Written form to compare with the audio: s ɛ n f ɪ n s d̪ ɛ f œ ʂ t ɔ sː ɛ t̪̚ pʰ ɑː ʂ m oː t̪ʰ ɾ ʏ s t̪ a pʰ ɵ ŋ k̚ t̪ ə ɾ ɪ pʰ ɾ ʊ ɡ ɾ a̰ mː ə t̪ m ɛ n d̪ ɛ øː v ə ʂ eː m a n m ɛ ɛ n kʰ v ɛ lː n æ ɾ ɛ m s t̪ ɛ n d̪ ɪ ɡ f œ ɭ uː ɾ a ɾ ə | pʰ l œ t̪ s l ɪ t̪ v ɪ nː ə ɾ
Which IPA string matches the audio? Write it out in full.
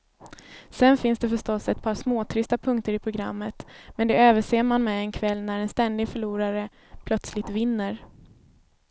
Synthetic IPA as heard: s ɛ n f ɪ n s d̪ ɛ f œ ʂ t ɔ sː ɛ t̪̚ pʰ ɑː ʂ m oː t̪ʰ ɾ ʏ s t̪ a pʰ ɵ ŋ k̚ t̪ ə ɾ ɪ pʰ ɾ ʊ ɡ ɾ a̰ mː ə t̪ m ɛ n d̪ ɛ øː v ə ʂ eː m a n m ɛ ɛ n kʰ v ɛ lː n æ ɾ ɛ n s t̪ ɛ n d̪ ɪ ɡ f œ ɭ uː ɾ a ɾ ə | pʰ l œ t̪ s l ɪ t̪ v ɪ nː ə ɾ